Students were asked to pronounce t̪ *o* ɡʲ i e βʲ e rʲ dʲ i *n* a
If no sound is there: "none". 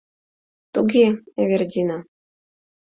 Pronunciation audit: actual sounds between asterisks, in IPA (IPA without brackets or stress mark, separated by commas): u, n